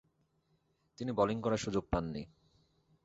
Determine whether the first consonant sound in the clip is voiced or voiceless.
voiceless